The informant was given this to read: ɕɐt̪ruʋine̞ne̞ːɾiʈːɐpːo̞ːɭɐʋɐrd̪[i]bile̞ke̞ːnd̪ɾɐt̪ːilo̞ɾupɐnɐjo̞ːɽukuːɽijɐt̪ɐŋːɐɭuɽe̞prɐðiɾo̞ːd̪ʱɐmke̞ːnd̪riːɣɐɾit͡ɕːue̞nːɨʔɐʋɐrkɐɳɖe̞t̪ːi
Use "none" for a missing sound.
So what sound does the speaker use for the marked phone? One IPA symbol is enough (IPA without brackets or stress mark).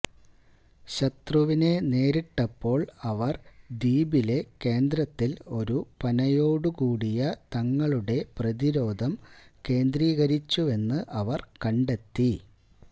iː